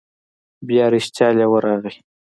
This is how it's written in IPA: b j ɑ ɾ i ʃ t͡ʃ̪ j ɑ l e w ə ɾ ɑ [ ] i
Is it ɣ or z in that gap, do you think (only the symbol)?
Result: ɣ